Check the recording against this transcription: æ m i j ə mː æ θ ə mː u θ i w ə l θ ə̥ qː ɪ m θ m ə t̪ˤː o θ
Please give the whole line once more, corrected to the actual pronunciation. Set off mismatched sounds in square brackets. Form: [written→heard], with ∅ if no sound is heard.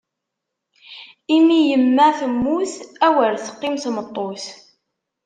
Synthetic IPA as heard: [æ→i] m i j ə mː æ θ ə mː u θ [i→æ] w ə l θ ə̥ qː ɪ m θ m ə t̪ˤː o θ